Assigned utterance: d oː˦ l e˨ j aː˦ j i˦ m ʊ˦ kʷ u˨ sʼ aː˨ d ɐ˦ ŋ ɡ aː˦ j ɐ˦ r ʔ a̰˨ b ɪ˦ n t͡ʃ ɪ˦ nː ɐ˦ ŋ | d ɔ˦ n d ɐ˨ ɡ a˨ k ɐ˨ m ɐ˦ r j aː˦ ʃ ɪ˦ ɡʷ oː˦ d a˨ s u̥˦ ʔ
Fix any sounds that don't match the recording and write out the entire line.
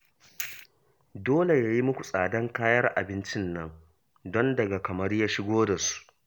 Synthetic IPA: d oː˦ l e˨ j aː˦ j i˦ m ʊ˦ kʷ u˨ sʼ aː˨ d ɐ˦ ŋ k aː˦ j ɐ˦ r ʔ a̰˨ b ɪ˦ n t͡ʃ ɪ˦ nː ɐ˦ ŋ | d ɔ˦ n d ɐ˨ ɡ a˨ k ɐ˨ m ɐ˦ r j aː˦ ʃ ɪ˦ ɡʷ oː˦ d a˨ s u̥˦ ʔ